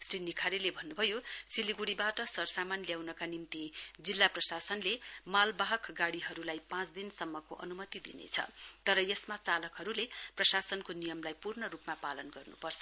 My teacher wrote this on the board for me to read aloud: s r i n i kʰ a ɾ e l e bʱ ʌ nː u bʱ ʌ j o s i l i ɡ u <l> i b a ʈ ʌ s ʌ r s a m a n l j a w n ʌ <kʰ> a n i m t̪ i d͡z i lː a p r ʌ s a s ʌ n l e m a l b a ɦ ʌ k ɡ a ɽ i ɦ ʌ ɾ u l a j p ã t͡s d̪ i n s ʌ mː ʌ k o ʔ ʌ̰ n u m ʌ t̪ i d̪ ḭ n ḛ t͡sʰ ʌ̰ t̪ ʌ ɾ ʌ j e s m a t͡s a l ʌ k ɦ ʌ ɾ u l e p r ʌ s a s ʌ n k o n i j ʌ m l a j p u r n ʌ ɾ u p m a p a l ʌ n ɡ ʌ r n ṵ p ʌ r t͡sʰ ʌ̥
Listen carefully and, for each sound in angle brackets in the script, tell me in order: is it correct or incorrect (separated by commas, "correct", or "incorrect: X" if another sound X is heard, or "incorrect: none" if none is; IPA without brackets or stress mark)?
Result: incorrect: ɽ, incorrect: k